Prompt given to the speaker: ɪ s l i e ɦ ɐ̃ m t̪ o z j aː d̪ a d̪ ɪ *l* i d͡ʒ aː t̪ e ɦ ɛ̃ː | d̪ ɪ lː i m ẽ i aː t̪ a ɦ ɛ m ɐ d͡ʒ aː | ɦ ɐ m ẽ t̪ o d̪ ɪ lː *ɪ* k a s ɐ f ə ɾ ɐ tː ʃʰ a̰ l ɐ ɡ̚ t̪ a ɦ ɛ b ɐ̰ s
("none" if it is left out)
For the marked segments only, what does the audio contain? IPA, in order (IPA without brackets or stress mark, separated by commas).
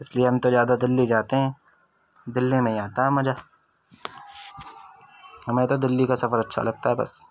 lː, i